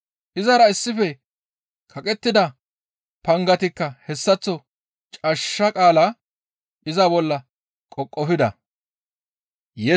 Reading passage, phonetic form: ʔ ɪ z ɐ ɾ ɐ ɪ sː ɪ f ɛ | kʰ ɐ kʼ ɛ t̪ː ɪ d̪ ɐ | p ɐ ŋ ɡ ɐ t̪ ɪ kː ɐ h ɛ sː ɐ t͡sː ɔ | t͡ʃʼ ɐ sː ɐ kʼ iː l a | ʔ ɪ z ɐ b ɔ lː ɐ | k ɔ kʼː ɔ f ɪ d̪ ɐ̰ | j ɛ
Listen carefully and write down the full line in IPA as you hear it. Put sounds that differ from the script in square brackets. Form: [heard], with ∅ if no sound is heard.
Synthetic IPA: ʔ ɪ z ɐ ɾ ɐ ɪ sː ɪ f ɛ | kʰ ɐ kʼ ɛ t̪ː ɪ d̪ ɐ | p ɐ ŋ ɡ ɐ t̪ ɪ kː ɐ h ɛ sː ɐ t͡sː ɔ | t͡ʃʼ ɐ [ʃː] ɐ kʼ [aː] l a | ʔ ɪ z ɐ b ɔ lː ɐ | [kʼ] ɔ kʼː ɔ f ɪ d̪ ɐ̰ | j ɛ